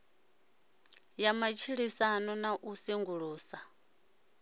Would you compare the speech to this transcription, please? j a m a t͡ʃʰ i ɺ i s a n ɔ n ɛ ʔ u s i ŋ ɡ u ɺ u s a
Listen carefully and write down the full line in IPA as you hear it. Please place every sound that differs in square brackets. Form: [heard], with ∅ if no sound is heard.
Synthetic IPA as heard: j a m a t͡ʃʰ i ɺ i s a n ɔ n [a] ʔ u s i ŋ ɡ u ɺ [uː] s a

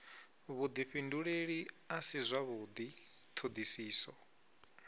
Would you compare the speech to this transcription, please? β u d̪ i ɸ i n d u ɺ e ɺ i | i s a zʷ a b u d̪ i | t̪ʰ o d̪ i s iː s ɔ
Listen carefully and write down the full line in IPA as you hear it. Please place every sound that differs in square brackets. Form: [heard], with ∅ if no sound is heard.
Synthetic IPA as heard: β u d̪ i ɸ i n d u ɺ e ɺ i | [a] s [i] zʷ a [β] u d̪ i | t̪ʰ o d̪ i s iː s ɔ

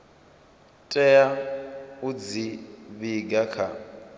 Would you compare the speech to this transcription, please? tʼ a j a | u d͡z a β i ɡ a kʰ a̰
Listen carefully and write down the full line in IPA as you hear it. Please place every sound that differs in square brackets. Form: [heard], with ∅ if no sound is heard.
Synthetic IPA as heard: tʼ [ɛ] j a | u d͡z [i] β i ɡ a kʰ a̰

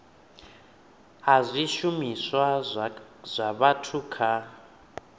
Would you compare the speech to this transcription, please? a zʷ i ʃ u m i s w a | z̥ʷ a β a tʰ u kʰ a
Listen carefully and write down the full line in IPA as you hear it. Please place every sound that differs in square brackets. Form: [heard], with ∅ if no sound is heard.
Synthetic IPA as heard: a zʷ i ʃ u m i s w a | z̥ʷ a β a tʰ u kʰ a

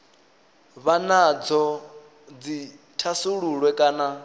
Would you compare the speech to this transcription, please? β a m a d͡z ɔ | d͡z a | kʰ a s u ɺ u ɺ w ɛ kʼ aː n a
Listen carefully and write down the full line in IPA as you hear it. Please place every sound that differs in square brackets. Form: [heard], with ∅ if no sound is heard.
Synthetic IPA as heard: β a [n] a d͡z ɔ | d͡z [i] | [tʰ] a s u ɺ u ɺ w ɛ kʼ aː n a

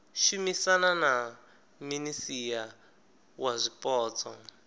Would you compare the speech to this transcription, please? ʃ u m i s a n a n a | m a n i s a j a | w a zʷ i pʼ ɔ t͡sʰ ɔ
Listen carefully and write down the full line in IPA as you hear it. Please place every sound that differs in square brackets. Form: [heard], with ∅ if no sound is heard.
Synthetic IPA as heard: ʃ u m i s a n a n a | m [i] n i s [i] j a | w a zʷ i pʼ [ɔː] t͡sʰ ɔ

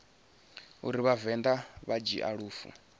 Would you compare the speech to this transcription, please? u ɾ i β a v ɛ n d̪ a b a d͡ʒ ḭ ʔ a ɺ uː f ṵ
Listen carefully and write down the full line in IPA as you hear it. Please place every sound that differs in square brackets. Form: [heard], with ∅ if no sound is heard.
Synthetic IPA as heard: u ɾ i β a v ɛ n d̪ a [β] a d͡ʒ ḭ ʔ a ɺ uː f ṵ

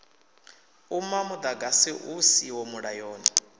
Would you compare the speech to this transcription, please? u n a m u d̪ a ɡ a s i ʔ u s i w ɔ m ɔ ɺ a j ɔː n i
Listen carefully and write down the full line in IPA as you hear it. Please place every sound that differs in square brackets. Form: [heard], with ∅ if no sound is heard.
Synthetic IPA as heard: u [m] a m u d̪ a ɡ a s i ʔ u s i w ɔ m [u] ɺ a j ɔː n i

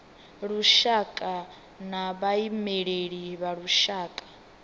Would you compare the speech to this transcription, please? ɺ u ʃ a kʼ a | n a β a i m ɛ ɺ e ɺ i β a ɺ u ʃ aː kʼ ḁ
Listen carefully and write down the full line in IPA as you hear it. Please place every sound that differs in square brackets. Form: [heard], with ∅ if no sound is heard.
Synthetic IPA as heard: ɺ u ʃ a kʼ a | n a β a i m ɛ ɺ e ɺ i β a ɺ u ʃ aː kʼ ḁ

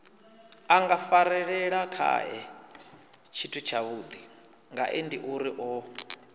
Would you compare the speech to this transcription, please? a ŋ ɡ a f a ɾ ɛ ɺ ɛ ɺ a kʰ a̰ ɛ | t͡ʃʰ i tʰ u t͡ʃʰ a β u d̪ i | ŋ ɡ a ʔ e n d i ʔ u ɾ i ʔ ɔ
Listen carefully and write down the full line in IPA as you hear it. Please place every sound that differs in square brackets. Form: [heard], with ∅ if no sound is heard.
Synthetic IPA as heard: a ŋ ɡ a f a ɾ ɛ ɺ ɛ ɺ a kʰ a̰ ɛ | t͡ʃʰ i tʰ u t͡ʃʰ a β u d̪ i | ŋ ɡ a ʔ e n d i ʔ u ɾ i ʔ ɔ

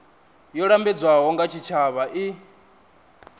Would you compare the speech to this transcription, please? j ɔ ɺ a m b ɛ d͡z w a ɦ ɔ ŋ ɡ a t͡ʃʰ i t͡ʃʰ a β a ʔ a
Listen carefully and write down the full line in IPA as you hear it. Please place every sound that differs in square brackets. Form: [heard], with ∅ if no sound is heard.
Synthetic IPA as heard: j ɔ ɺ a m b ɛ d͡z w a ɦ ɔ ŋ ɡ a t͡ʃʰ i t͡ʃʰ a β a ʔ [i]

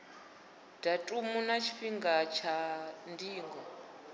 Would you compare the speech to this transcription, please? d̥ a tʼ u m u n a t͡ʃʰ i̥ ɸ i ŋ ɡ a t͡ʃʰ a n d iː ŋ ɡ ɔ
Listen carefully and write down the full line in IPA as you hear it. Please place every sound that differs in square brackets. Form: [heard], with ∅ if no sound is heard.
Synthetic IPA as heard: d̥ a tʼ u m u n a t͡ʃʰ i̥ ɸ i ŋ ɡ a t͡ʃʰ a n d iː ŋ ɡ ɔ

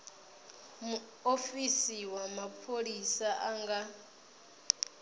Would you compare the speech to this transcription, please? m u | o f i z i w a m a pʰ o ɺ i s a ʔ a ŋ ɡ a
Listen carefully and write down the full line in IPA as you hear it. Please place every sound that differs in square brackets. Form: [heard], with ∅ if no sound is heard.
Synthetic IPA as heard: m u | o f i [s] i w a m a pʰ o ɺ i s a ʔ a ŋ ɡ a

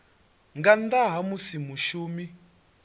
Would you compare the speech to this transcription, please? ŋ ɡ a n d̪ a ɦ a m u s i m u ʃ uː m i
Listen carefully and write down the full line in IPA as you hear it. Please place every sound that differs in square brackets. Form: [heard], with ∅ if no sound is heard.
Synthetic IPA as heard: ŋ ɡ a n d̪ a ɦ a m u s i m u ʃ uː m i

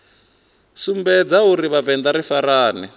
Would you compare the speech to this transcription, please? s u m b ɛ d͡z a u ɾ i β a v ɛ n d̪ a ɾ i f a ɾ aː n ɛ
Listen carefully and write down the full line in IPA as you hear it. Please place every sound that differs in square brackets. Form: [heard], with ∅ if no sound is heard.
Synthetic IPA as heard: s u m b ɛ d͡z a u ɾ i β a v ɛ n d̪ a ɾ i f a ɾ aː n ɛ

